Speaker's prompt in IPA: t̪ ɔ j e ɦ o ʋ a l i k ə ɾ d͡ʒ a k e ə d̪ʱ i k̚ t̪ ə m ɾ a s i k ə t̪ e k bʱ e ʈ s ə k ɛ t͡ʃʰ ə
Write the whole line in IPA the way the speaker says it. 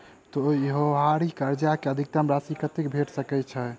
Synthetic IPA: t̪ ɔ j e ɦ o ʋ a ɾ i k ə ɾ d͡ʒ a k e ə d̪ʱ i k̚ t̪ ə m ɾ a s i k ə t̪ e k bʱ e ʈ s ə k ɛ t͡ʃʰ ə